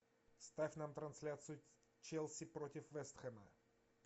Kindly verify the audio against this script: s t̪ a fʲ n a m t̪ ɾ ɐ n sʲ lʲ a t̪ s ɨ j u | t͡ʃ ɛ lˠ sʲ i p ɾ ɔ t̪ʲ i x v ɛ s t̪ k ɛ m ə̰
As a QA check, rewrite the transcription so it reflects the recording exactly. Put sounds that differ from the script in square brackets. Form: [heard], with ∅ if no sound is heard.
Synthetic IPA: s t̪ a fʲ n a m t̪ ɾ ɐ n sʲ lʲ a t̪ s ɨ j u | t͡ʃ ɛ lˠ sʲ i p ɾ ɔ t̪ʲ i [f] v ɛ s t̪ [x] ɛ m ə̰